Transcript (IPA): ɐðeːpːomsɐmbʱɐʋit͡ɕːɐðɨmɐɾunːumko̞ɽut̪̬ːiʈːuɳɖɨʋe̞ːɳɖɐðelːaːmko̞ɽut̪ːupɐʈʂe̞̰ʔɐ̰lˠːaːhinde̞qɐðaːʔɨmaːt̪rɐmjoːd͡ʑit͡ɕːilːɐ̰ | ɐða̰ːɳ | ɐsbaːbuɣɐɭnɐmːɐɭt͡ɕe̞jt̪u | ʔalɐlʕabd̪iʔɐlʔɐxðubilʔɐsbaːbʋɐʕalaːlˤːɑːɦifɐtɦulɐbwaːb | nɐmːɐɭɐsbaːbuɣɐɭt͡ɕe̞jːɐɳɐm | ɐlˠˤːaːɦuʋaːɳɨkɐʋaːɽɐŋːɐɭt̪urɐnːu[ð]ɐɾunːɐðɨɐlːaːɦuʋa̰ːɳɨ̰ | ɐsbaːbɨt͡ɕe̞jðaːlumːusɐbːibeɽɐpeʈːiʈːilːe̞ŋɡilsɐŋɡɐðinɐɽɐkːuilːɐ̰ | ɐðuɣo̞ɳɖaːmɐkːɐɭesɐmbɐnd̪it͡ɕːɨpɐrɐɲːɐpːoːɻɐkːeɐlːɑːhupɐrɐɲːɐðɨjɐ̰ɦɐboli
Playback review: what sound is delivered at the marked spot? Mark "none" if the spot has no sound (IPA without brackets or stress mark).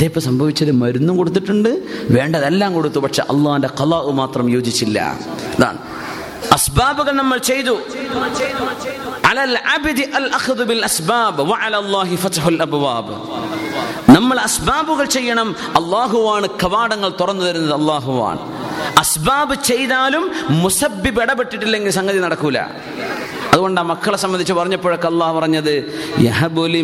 ð